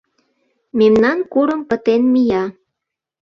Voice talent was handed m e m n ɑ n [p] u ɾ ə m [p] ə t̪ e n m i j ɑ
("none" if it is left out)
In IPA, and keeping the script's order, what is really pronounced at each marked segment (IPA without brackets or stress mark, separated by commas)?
k, p